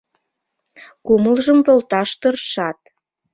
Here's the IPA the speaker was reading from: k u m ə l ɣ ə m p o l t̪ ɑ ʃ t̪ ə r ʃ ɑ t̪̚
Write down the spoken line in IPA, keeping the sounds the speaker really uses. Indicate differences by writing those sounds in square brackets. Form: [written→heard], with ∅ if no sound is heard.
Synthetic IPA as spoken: k u m ə l [ɣ→ʒ] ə m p o l t̪ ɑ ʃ t̪ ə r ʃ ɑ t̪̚